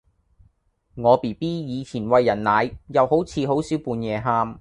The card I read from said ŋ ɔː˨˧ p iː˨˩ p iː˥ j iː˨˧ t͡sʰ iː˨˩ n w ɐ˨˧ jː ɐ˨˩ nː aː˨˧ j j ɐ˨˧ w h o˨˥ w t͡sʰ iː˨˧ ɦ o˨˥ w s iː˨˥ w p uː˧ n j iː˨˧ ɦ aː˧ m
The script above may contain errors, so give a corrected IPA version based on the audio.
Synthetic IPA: ŋ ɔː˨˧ p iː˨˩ p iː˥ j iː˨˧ t͡sʰ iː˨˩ n w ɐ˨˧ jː ɐ˨˩ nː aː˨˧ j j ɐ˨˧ w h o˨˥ w t͡sʰ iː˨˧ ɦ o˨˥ w s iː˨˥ w p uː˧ n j ɛː˨˧ ɦ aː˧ m